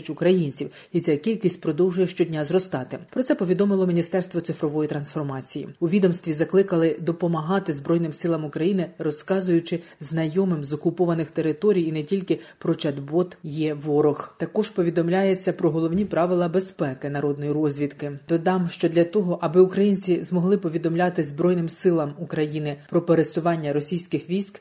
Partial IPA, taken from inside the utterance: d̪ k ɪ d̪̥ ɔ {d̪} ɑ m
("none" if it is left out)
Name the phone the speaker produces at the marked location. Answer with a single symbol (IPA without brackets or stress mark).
d̪